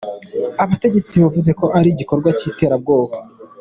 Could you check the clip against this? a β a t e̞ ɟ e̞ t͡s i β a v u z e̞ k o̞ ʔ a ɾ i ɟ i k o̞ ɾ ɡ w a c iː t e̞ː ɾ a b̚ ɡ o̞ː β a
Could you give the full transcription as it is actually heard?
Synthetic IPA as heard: a β a t e̞ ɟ e̞ t͡s i β a v u z e̞ k o̞ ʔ a ɾ i ɟ i k o̞ ɾ ɡ w a c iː t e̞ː ɾ a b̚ ɡ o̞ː β a